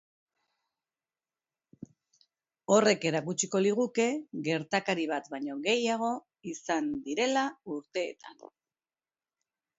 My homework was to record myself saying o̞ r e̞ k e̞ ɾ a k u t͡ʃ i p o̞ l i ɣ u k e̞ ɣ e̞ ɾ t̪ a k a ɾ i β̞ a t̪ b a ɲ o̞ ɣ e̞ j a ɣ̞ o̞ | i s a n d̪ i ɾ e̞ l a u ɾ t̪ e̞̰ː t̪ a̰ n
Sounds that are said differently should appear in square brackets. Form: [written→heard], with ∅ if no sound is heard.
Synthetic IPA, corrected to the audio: o̞ r e̞ k e̞ ɾ a k u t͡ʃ i [p→k] o̞ l i ɣ u k e̞ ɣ e̞ ɾ t̪ a k a ɾ i β̞ a t̪ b a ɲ o̞ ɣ e̞ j a ɣ̞ o̞ | i s a n d̪ i ɾ e̞ l a u ɾ t̪ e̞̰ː t̪ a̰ n

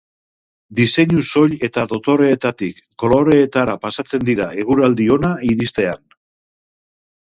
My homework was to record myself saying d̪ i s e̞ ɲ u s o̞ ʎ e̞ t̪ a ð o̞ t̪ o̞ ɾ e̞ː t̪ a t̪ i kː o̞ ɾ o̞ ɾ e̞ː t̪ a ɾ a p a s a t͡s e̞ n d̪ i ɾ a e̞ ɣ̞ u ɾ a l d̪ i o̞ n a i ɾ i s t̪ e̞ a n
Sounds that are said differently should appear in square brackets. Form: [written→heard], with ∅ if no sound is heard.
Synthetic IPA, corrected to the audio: d̪ i s e̞ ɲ u s o̞ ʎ e̞ t̪ a ð o̞ t̪ o̞ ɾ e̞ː t̪ a t̪ i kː o̞ [ɾ→l] o̞ ɾ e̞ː t̪ a ɾ a p a s a t͡s e̞ n d̪ i ɾ a e̞ ɣ̞ u ɾ a l d̪ i o̞ n a i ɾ i s t̪ e̞ a n

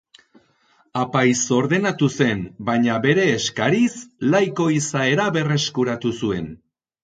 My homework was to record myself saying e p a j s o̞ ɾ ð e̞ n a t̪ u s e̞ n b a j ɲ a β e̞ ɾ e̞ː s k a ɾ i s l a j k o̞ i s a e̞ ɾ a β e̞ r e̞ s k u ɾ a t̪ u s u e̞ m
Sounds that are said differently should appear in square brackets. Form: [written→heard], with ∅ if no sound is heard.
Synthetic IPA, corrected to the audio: [e→a] p a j s o̞ ɾ ð e̞ n a t̪ u s e̞ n b a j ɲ a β e̞ ɾ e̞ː s k a ɾ i s l a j k o̞ i s a e̞ ɾ a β e̞ r e̞ s k u ɾ a t̪ u s u e̞ [m→n]

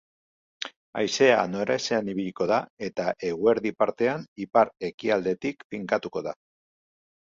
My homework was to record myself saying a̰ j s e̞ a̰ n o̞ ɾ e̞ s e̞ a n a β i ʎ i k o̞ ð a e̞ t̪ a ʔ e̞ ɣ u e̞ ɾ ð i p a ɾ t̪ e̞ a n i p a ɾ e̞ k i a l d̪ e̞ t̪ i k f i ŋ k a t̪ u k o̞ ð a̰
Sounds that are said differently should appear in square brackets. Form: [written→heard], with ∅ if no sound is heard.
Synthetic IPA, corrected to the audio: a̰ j s e̞ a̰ n o̞ ɾ e̞ s e̞ a n [a→i] β i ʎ i k o̞ ð a e̞ t̪ a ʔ e̞ ɣ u e̞ ɾ ð i p a ɾ t̪ e̞ a n i p a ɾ e̞ k i a l d̪ e̞ t̪ i k f i ŋ k a t̪ u k o̞ ð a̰

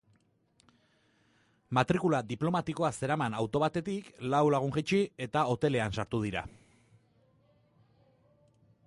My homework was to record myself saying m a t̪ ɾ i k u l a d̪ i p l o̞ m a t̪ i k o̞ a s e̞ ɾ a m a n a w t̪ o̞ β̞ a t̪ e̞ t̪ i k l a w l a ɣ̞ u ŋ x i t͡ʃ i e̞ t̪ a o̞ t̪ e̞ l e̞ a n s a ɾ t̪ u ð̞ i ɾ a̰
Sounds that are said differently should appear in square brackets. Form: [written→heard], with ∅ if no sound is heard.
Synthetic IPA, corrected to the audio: m a t̪ ɾ i k u l a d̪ i p l o̞ m a t̪ i k o̞ a s e̞ ɾ a m a n a w t̪ o̞ β̞ a t̪ e̞ t̪ i k l a w l a ɣ̞ u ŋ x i t͡ʃ i e̞ t̪ a o̞ t̪ e̞ l e̞ a n s a ɾ t̪ u ð̞ i ɾ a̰

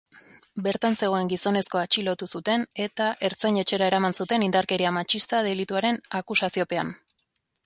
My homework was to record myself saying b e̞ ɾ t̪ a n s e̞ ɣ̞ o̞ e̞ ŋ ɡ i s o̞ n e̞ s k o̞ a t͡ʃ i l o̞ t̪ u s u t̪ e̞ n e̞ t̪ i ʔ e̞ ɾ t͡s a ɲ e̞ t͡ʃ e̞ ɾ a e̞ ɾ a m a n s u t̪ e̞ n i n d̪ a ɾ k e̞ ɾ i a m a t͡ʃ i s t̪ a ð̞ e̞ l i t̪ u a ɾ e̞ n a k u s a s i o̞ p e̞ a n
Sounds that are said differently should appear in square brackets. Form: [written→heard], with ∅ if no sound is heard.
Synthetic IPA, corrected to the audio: b e̞ ɾ t̪ a n s e̞ ɣ̞ o̞ e̞ ŋ ɡ i s o̞ n e̞ s k o̞ a t͡ʃ i l o̞ t̪ u s u t̪ e̞ n e̞ t̪ [i→a] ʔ e̞ ɾ t͡s a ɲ e̞ t͡ʃ e̞ ɾ a e̞ ɾ a m a n s u t̪ e̞ n i n d̪ a ɾ k e̞ ɾ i a m a t͡ʃ i s t̪ a ð̞ e̞ l i t̪ u a ɾ e̞ n a k u s a s i o̞ p e̞ a n

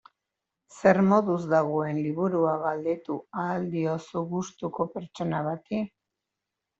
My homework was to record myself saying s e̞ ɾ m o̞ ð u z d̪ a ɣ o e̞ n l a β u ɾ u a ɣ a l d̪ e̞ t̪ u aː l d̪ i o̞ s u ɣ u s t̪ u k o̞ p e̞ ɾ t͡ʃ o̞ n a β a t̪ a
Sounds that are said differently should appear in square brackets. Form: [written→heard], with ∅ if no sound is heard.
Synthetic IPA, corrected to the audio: s e̞ ɾ m o̞ ð u z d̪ a ɣ o e̞ n l [a→i] β u ɾ u a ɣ a l d̪ e̞ t̪ u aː l d̪ i o̞ s u ɣ u s t̪ u k o̞ p e̞ ɾ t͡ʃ o̞ n a β a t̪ [a→i]

